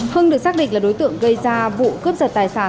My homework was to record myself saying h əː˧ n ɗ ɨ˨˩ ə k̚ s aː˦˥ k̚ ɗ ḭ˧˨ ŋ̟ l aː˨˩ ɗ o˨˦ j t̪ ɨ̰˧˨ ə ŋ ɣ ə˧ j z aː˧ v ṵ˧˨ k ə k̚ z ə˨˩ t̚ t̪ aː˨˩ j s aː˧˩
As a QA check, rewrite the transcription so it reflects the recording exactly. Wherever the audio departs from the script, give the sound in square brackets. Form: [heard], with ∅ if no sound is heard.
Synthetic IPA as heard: h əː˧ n ɗ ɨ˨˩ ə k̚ s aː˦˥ k̚ ɗ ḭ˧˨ ŋ̟ l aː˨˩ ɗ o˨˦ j t̪ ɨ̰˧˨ ə ŋ ɣ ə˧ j z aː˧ v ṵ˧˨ k ə [p̚] z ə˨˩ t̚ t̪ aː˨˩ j s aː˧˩